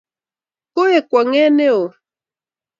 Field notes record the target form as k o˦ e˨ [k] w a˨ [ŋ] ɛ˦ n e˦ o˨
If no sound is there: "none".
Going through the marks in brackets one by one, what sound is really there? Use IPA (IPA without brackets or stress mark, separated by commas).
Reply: k, ŋ